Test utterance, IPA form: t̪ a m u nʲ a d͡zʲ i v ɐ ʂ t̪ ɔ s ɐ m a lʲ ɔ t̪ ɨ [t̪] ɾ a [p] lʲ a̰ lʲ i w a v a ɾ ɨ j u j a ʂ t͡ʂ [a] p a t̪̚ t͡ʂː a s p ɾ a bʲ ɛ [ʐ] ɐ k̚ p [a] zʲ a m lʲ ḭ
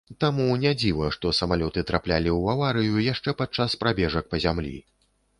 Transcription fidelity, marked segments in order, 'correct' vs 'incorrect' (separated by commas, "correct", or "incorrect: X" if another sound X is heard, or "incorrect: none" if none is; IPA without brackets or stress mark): correct, correct, incorrect: ɛ, correct, incorrect: ɐ